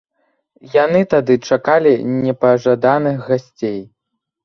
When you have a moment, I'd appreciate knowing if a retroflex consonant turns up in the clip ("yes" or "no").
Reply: yes